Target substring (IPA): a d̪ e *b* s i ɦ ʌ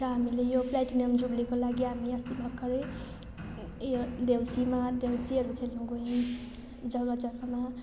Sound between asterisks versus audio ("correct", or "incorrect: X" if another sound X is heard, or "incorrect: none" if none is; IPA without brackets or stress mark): incorrect: w